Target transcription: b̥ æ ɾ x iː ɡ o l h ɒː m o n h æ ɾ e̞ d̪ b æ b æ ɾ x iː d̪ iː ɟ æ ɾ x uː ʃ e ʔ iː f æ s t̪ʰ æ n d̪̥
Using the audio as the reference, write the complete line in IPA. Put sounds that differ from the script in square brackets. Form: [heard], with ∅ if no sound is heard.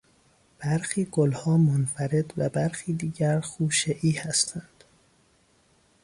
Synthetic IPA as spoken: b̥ æ ɾ x iː ɡ o l h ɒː m o n [f] æ ɾ e̞ d̪ [v] æ b æ ɾ x iː d̪ iː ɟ æ ɾ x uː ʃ e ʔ iː [h] æ s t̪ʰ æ n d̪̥